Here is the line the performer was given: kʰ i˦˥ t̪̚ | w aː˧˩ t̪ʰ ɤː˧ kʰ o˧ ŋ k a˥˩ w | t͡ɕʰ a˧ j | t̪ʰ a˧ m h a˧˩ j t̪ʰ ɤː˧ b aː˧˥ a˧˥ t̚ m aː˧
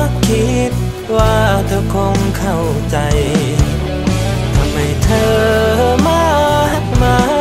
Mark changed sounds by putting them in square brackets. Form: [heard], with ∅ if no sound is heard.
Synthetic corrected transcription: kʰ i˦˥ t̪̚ | w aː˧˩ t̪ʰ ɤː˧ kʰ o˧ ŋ [kʰ] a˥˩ w | [t͡ɕ] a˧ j | t̪ʰ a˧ m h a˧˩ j t̪ʰ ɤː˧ [m] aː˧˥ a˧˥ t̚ m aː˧